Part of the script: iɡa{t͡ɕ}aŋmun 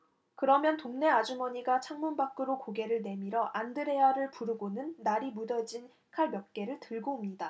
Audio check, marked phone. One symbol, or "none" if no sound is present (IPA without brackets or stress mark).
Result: t͡ɕʰ